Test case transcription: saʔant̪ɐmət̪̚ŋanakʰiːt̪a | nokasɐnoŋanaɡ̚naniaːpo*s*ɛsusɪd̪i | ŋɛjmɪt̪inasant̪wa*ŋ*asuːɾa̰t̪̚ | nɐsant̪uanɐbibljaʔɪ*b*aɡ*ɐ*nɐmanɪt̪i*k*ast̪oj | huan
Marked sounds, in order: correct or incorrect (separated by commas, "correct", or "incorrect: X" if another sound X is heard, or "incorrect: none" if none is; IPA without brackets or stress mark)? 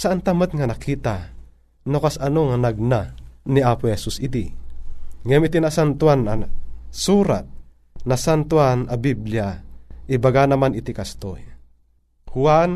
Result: incorrect: h, incorrect: n, correct, incorrect: a, correct